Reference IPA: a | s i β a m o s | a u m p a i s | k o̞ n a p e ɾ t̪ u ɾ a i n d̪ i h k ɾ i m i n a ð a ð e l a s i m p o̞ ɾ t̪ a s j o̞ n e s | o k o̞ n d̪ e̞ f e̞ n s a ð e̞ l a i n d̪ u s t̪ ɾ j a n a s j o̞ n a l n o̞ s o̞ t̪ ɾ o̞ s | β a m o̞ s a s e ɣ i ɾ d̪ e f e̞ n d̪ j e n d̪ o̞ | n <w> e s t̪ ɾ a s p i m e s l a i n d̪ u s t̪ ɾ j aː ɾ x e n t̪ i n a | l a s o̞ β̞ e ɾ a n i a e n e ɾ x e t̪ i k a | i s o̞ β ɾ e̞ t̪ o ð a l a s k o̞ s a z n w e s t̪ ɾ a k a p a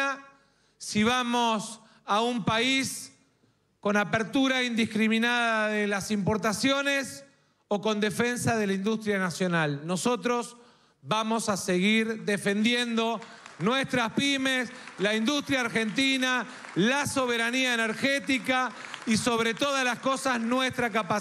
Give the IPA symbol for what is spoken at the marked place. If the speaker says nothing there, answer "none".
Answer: w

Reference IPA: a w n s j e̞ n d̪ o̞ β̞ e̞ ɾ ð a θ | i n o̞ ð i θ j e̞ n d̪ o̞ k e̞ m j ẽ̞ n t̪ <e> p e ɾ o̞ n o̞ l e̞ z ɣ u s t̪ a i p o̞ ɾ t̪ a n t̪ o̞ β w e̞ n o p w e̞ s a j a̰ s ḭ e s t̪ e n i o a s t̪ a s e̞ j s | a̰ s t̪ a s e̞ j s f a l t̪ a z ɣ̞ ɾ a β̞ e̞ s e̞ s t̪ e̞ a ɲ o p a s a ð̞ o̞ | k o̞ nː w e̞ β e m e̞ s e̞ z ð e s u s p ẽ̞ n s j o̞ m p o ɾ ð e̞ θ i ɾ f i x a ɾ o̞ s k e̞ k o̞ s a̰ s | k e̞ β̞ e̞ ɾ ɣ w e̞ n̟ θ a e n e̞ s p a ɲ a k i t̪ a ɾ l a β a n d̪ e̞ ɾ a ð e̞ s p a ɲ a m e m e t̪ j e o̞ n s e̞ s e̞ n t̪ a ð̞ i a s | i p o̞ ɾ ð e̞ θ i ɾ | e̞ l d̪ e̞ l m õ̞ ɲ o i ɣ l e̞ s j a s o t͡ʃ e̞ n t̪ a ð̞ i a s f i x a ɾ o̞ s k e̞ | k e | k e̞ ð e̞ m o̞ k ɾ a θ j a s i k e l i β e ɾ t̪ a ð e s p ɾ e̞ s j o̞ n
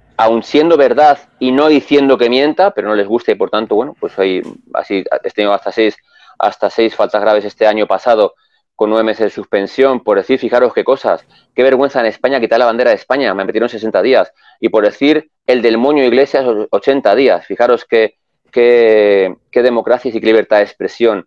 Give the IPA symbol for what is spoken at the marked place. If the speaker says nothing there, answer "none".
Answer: a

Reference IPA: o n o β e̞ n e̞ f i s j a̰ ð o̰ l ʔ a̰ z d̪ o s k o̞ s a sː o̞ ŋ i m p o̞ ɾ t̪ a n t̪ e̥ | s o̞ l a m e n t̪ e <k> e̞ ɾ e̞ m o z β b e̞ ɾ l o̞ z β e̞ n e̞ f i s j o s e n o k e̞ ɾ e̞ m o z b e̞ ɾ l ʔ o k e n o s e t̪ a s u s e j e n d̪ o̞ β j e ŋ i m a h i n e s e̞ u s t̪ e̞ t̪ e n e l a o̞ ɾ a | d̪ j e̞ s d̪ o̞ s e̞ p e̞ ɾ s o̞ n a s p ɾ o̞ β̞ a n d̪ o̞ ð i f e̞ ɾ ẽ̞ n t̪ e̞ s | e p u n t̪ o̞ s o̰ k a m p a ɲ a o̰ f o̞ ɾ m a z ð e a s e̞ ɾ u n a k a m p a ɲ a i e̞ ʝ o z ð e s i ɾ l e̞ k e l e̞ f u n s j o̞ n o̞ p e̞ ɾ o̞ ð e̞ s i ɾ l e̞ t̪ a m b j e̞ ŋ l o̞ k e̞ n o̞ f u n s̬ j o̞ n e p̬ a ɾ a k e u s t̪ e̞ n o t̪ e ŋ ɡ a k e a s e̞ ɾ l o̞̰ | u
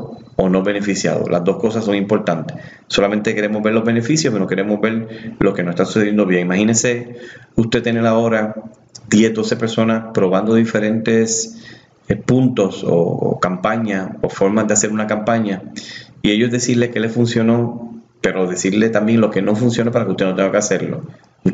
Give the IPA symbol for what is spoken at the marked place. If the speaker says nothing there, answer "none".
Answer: k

